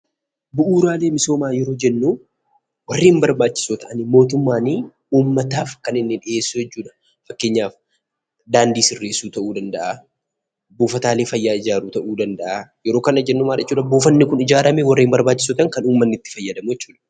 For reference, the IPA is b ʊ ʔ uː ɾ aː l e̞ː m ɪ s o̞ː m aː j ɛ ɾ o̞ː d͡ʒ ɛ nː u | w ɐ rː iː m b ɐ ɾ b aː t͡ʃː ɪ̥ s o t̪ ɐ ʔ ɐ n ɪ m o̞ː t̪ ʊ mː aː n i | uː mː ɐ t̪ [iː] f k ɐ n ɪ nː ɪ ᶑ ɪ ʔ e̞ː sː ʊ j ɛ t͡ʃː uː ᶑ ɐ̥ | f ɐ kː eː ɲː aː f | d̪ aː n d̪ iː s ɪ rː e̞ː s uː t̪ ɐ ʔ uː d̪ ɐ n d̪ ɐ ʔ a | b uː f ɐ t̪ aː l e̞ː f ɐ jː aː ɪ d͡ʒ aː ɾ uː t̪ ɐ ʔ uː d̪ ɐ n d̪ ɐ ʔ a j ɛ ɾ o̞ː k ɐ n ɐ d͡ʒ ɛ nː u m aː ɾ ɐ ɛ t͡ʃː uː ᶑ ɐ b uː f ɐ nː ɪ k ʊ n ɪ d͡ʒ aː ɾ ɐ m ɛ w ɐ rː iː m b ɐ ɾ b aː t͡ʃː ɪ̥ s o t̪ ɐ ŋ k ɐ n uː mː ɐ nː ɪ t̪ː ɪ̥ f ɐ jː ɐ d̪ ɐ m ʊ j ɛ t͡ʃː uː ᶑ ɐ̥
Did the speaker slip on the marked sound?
yes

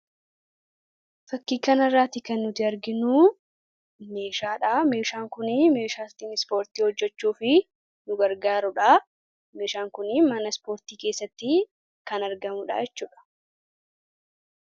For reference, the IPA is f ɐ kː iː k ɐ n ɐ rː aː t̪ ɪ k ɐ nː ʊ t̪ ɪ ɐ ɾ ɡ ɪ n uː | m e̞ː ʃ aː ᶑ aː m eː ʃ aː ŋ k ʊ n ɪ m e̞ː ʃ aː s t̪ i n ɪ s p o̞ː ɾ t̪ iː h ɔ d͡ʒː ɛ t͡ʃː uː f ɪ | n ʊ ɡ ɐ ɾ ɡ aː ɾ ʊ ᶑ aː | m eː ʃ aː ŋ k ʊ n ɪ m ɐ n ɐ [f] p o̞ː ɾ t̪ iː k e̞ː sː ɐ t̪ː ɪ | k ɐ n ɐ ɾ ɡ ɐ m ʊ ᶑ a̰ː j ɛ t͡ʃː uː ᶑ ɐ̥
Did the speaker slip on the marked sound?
yes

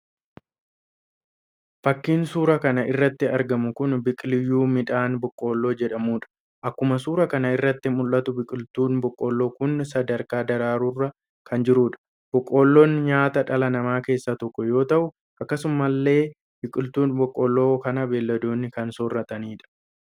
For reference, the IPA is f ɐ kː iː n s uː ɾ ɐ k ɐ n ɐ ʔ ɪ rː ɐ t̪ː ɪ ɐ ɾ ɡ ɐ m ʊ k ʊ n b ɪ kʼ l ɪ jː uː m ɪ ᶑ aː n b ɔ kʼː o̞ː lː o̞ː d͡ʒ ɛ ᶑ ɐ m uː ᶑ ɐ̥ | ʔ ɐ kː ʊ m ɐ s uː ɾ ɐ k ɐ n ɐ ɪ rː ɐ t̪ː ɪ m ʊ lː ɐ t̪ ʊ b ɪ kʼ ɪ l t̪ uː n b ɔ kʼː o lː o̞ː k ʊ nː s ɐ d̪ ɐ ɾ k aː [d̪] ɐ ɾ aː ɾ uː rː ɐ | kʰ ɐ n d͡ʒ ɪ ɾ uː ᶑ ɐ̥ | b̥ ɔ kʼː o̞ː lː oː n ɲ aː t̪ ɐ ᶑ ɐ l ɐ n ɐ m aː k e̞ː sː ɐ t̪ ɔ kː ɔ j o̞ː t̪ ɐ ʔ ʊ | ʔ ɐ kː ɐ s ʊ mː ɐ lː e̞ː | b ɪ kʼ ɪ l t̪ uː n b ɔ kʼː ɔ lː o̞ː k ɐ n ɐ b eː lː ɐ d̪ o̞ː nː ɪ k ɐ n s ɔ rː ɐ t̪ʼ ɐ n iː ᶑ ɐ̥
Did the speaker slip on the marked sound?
no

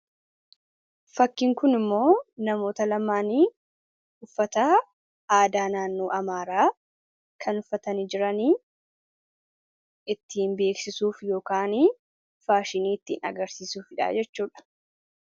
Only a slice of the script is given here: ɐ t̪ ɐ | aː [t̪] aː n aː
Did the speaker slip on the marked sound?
yes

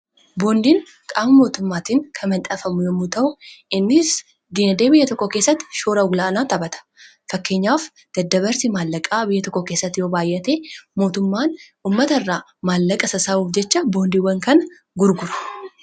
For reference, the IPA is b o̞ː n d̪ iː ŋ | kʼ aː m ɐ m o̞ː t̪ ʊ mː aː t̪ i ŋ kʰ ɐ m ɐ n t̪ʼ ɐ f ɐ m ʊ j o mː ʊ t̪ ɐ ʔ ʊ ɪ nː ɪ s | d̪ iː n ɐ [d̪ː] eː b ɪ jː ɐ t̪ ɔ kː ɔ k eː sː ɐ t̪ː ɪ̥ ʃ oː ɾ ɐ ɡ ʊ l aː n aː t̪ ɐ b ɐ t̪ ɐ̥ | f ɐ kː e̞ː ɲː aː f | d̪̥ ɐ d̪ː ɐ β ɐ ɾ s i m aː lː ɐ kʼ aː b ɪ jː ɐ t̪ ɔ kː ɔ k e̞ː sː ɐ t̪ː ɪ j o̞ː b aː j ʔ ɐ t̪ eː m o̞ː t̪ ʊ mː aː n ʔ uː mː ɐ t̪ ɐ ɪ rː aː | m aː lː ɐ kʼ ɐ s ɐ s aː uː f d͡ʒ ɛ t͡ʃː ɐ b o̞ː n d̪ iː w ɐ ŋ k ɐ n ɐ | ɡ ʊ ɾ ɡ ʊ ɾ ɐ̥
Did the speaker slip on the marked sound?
yes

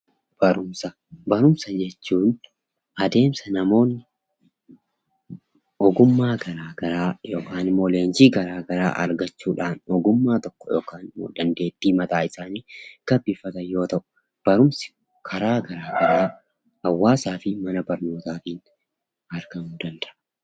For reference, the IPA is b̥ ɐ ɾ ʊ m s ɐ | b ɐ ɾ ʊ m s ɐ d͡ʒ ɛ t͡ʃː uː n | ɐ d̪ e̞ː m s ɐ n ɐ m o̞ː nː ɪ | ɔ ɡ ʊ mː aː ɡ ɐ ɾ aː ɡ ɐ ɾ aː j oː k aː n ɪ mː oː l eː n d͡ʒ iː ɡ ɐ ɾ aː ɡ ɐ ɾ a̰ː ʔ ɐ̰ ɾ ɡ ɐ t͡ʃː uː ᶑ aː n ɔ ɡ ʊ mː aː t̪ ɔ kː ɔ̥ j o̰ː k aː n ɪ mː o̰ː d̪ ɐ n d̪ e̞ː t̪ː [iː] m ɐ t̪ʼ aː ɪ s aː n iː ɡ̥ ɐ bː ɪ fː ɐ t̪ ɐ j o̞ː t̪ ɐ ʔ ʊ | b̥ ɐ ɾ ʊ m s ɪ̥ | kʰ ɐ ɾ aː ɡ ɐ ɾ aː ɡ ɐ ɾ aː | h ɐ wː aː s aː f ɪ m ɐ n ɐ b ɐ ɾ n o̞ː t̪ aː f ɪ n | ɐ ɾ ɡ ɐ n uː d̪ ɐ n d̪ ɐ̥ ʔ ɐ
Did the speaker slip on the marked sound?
no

